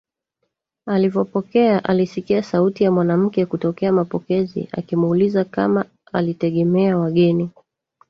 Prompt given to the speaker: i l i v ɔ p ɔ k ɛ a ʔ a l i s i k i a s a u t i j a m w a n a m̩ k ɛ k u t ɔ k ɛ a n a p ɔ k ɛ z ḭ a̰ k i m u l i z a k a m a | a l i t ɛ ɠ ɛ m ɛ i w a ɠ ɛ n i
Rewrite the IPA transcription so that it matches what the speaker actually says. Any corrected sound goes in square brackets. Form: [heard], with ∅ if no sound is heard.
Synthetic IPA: [a] l i v ɔ p ɔ k ɛ a ʔ a l i s i k i a s a u t i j a m w a n a m̩ k ɛ k u t ɔ k ɛ a [m] a p ɔ k ɛ z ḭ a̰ k i m u l i z a k a m a | a l i t ɛ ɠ ɛ m ɛ [a] w a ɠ ɛ n i